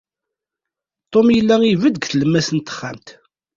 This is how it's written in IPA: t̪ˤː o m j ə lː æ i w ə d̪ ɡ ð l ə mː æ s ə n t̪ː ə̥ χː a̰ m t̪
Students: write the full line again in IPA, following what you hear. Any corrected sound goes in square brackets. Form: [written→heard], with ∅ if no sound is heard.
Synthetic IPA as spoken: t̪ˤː o m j ə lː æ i [w→v] ə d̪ ɡ [ð→θ] l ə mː æ s ə n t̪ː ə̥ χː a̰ m t̪